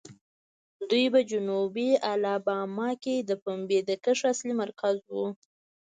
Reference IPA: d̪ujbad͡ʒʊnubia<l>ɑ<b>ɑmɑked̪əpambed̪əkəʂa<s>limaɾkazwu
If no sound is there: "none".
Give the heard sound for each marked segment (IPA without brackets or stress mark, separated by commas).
l, b, s